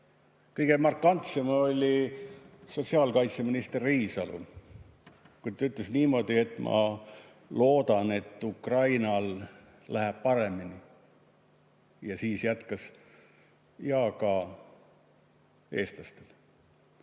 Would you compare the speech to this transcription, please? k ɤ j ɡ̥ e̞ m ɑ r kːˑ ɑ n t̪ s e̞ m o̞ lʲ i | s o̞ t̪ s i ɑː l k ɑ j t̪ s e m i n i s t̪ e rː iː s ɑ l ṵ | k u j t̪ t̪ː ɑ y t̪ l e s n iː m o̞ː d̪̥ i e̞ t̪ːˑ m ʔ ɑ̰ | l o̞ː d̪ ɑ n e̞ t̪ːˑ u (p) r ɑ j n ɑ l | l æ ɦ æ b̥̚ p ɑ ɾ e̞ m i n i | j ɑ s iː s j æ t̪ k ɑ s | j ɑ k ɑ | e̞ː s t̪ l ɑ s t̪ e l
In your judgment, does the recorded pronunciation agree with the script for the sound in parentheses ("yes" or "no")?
no